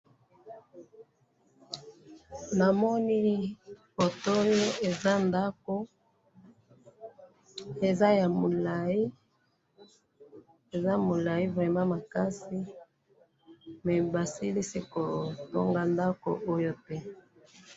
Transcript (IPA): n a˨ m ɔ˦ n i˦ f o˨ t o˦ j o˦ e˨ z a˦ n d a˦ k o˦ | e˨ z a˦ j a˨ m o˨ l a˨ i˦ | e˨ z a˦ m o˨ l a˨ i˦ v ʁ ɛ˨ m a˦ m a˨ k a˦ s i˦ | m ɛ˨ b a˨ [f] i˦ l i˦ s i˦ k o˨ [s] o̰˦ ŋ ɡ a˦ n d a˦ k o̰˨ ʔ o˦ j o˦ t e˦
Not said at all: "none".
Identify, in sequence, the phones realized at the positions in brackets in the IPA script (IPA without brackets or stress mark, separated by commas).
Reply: s, t